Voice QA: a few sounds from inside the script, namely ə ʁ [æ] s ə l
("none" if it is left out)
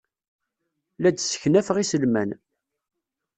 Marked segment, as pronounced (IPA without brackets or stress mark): i